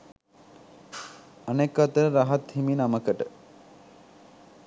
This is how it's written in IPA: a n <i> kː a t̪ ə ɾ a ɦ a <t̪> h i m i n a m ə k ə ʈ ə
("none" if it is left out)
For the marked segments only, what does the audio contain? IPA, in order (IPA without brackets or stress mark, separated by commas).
e, t̪